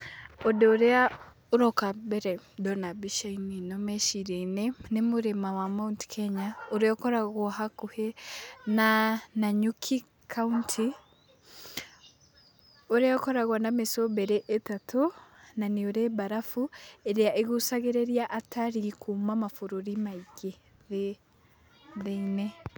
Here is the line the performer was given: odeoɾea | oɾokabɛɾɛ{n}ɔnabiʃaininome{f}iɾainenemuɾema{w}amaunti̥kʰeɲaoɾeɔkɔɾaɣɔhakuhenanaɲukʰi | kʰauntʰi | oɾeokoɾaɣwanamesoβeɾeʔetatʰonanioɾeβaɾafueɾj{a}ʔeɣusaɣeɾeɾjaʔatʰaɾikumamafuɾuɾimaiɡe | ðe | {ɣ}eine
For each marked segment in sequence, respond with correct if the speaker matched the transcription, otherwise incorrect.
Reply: incorrect, incorrect, correct, correct, incorrect

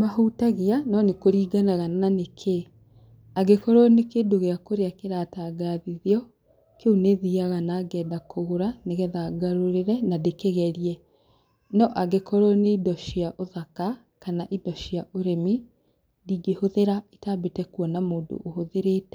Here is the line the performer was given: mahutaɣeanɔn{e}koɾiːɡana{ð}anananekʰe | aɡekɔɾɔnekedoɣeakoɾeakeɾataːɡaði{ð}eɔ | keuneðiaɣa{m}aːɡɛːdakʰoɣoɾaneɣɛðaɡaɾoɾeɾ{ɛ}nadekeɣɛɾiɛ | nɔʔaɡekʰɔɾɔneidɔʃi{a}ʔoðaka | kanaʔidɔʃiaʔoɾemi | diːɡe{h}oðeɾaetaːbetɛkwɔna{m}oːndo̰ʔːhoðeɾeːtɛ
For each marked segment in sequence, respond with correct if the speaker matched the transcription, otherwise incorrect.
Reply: correct, incorrect, correct, incorrect, correct, correct, correct, correct

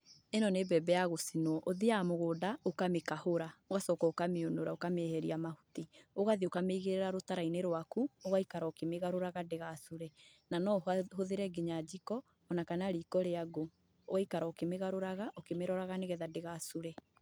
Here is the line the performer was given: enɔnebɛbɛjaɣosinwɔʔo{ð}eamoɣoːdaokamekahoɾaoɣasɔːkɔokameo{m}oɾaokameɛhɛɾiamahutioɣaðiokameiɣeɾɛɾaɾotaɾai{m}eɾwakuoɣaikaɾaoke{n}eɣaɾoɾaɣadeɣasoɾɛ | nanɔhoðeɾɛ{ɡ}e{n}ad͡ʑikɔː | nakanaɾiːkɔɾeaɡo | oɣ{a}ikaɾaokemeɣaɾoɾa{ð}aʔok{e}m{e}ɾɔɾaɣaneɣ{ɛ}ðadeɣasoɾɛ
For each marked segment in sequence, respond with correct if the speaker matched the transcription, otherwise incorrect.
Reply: correct, incorrect, incorrect, incorrect, correct, incorrect, correct, incorrect, correct, correct, correct

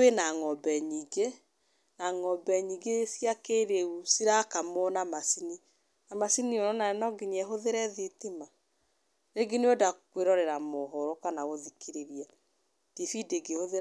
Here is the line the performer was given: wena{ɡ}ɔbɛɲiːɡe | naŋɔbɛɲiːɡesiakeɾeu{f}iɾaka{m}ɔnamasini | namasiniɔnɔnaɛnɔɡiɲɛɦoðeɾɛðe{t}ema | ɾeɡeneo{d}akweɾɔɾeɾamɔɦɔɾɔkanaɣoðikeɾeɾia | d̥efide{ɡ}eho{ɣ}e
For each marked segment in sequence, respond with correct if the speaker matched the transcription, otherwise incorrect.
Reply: incorrect, incorrect, correct, correct, correct, correct, incorrect

